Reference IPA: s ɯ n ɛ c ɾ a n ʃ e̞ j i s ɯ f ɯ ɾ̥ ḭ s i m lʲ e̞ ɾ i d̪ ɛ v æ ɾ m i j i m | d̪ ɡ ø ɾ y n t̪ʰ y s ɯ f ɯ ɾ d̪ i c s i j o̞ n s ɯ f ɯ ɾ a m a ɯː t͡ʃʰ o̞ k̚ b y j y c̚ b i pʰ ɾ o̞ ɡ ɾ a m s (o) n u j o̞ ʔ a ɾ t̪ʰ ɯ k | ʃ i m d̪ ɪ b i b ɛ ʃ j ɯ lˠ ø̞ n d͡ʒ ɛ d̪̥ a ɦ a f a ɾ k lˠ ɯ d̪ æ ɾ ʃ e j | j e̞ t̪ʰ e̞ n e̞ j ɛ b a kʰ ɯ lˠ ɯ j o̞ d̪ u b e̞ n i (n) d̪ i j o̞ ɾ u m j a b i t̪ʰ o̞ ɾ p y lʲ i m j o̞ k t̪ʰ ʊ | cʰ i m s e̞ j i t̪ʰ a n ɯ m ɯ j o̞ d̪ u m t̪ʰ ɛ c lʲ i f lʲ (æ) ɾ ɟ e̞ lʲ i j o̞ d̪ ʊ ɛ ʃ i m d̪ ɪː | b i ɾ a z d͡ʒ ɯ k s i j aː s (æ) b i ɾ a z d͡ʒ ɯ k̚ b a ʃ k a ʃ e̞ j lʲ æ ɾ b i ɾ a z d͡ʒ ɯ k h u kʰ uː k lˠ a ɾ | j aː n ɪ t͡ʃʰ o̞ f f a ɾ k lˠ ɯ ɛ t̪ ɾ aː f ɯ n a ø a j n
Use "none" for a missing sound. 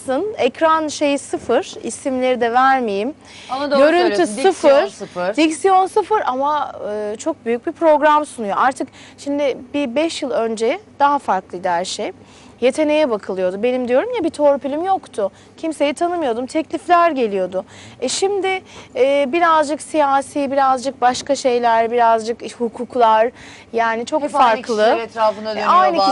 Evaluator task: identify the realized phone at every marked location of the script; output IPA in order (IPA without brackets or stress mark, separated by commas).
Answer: u, m, æ, i